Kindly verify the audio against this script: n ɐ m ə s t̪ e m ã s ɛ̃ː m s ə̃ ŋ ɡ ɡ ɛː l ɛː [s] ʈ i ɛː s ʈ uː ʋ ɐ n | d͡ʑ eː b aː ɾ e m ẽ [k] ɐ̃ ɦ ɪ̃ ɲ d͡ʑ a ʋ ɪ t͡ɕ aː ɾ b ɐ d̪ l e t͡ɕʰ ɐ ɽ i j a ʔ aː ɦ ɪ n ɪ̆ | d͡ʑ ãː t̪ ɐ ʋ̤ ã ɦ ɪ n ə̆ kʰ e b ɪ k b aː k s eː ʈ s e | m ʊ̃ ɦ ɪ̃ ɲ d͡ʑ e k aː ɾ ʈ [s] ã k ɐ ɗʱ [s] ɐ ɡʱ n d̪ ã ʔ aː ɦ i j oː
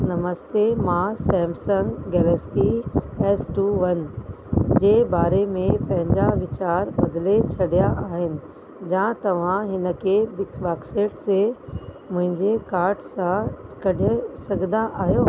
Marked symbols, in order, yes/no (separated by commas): yes, no, yes, yes